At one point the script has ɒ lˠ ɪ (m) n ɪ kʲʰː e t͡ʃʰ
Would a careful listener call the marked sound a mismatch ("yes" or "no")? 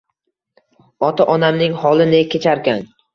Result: yes